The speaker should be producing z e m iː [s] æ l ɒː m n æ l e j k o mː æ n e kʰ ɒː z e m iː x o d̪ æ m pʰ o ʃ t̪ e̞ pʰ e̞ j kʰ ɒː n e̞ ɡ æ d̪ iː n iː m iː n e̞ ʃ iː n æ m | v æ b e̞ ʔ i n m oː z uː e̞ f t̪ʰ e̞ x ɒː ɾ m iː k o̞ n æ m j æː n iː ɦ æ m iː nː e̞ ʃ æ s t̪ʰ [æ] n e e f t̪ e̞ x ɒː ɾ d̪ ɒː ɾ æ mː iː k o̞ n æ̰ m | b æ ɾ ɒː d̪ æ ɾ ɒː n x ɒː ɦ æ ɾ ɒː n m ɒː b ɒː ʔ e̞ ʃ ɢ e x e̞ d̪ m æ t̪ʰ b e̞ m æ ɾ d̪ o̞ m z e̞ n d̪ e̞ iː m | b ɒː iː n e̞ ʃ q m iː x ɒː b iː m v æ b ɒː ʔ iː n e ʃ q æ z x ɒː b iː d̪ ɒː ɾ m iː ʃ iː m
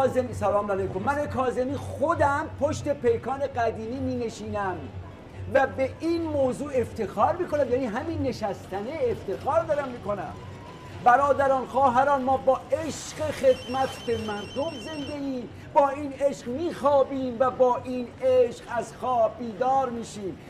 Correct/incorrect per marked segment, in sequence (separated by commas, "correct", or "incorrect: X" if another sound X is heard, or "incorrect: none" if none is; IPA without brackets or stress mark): correct, correct